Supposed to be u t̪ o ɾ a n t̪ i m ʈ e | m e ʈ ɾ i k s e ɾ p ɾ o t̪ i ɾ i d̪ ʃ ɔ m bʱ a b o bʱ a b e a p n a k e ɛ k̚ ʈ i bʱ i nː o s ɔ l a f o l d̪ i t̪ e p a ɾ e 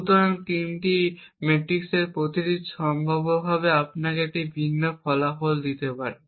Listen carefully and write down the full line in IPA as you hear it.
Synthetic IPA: u t̪ o ɾ a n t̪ i m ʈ i | m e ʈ ɾ i k s e ɾ p ɾ o t̪ i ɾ i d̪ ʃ ɔ m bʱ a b o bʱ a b e a p n a k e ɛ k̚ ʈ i bʱ i nː o f ɔ l a f o l d̪ i t̪ e p a ɾ e

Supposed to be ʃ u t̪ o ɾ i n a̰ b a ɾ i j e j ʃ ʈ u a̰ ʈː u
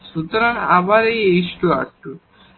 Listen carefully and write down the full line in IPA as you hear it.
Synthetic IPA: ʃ u t̪ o ɾ a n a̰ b a ɾ e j e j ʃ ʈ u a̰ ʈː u

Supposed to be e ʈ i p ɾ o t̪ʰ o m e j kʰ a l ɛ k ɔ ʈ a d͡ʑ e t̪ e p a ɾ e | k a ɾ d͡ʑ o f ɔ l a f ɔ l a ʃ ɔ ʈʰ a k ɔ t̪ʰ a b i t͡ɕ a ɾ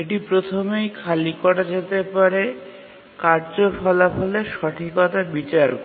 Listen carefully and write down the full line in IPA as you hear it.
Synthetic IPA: e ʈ i p ɾ o t̪ʰ o m e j kʰ a l i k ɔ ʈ a d͡ʑ e t̪ e p a ɾ e | k a ɾ d͡ʑ o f ɔ l a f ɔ l e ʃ ɔ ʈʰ i k ɔ t̪ a b i t͡ɕ a ɾ

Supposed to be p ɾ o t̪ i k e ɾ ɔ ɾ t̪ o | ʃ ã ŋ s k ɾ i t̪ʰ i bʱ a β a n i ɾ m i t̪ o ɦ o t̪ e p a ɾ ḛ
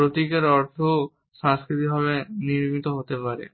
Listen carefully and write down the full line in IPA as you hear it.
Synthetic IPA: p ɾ o t̪ i k e ɾ ɔ ɾ t̪ʰ o | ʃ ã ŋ s k ɾ i t̪ i bʱ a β e n i ɾ m i t̪ o ɦ o t̪ e p a ɾ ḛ

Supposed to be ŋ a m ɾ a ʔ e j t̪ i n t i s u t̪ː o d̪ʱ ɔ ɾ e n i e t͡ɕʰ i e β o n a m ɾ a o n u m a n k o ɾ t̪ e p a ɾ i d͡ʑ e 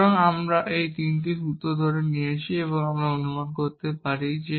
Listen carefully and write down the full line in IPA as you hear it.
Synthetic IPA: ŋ a m ɾ a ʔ e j t̪ i n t i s u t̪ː o d̪ʱ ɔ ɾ e n i e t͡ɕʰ i e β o ŋ a m ɾ a o n u m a n k o ɾ t̪ e p a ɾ i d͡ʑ e

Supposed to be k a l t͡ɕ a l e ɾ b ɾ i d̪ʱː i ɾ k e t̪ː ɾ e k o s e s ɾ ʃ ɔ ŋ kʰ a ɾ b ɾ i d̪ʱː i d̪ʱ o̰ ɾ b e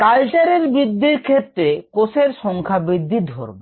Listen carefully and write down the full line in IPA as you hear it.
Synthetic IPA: k a l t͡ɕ a ɾ e ɾ b ɾ i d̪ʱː i ɾ kʰ e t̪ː ɾ e k o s e ɾ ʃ ɔ ŋ kʰ a b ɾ i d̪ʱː i d̪ʱ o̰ ɾ b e

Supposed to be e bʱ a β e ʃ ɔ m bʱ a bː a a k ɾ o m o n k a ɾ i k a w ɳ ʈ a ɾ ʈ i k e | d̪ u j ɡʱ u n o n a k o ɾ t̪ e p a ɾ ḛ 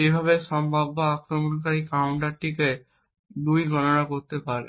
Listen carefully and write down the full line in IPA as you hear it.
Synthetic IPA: e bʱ a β e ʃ ɔ m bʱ a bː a a k ɾ o m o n k a ɾ i k a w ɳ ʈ a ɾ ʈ i k e | d̪ u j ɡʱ ɔ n o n a k o ɾ t̪ e p a ɾ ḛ

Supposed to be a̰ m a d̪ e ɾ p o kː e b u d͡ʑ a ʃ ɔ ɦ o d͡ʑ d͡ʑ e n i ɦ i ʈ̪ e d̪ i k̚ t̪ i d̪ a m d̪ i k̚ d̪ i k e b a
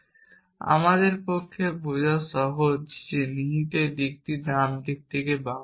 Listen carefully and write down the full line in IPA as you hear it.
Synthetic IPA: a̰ m a d̪ e ɾ p o kʰː e b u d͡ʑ a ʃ ɔ ɦ o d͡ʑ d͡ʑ e n i ɦ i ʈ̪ e d̪ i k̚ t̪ i d̪ a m d̪ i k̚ t̪ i k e b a

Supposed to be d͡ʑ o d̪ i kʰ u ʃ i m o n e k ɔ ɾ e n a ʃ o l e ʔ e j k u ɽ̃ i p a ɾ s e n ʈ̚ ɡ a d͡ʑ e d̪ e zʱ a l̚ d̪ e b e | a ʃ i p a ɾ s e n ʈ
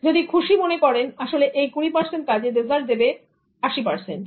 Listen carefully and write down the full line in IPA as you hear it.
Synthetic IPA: d͡ʑ o d̪ i kʰ u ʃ i m o n e k ɔ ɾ e n a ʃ o l e ʔ e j k u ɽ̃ i p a ɾ s e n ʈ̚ k a d͡ʑ e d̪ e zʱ a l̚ d̪ e b e | a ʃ i p a ɾ s e n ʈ

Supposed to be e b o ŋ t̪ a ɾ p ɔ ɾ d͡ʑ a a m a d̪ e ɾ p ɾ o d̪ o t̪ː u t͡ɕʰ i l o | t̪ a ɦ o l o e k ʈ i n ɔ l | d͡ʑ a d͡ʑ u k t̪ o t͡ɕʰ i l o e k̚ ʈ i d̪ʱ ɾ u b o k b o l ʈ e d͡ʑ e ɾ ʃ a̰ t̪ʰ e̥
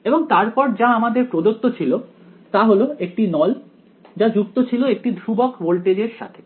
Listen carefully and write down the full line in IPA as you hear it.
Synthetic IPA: e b o ŋ t̪ a ɾ p ɔ ɾ d͡ʑ a a m a d̪ e ɾ p ɾ o d̪ o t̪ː o t͡ɕʰ i l o | t̪ a ɦ o l o e k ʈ i n ɔ l | d͡ʑ a d͡ʑ u k t̪ o t͡ɕʰ i l o e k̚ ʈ i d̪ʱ ɾ u b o k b o l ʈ e d͡ʑ e ɾ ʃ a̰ t̪ʰ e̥

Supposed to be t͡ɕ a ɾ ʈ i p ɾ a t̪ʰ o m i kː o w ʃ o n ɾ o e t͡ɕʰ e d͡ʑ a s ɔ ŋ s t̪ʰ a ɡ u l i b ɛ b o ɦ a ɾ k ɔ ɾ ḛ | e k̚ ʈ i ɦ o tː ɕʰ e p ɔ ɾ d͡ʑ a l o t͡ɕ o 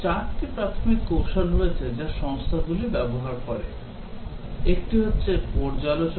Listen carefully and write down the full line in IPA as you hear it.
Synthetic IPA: t͡ɕ a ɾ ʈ i p ɾ a t̪ʰ o m i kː o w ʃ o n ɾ o e t͡ɕʰ e d͡ʑ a ʃ ɔ ŋ s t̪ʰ a ɡ u l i b ɛ b o ɦ a ɾ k ɔ ɾ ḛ | e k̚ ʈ i ɦ o tː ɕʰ e p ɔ ɾ d͡ʑ a l o t͡ɕ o

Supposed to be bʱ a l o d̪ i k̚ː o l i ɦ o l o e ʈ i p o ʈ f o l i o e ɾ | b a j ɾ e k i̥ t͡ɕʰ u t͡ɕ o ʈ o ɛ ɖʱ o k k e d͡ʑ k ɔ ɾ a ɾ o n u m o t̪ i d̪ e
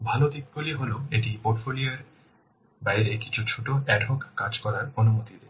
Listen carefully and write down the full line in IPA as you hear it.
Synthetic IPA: bʱ a l o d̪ i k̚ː o l i ɦ o l o e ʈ i p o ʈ f o l i o e ɾ | b a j ɾ e k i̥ t͡ɕʰ u t͡ɕʰ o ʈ o ɛ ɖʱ o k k a d͡ʑ k ɔ ɾ a ɾ o n u m o t̪ i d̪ e

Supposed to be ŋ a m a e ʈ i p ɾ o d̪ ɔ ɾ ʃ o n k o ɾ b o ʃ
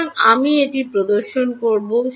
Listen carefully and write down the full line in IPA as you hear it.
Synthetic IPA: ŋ a m i e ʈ i p ɾ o d̪ o ɾ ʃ o n k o ɾ b o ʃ

